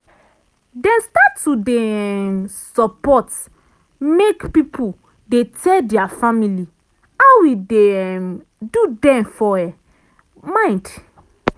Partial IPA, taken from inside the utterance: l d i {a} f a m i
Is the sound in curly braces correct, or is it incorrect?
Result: correct